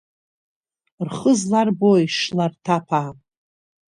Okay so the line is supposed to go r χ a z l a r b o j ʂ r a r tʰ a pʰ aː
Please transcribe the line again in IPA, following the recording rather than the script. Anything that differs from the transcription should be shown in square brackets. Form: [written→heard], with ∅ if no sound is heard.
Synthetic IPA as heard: r χ [a→ə] z l a r b o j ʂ [r→l] a r tʰ a pʰ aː